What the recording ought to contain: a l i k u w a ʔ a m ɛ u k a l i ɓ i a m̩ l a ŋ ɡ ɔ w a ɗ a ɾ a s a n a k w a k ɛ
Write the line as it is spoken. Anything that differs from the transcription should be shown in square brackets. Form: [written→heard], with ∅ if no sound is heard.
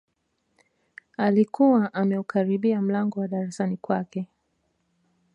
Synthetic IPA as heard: a l i k u w a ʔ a m ɛ u k a [l→ɾ] i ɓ i a m̩ l a ŋ ɡ ɔ w a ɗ a ɾ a s a n [a→i] k w a k ɛ